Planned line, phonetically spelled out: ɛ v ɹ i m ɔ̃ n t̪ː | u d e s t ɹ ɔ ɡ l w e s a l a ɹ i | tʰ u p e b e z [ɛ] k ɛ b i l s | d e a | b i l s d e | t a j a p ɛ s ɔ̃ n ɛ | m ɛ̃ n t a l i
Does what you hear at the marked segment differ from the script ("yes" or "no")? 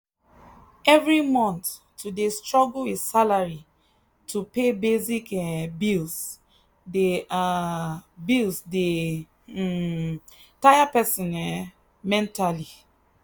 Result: yes